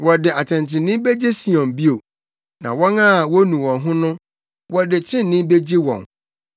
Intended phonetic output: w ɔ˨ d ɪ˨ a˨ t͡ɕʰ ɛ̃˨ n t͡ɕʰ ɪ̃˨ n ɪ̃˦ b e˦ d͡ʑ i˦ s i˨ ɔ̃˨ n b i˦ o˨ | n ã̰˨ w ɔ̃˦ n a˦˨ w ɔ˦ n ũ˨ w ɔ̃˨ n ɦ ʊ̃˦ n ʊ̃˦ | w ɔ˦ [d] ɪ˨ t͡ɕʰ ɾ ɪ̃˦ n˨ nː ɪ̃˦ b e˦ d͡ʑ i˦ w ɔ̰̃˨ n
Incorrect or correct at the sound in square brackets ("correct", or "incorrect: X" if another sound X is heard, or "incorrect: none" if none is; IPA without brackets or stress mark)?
correct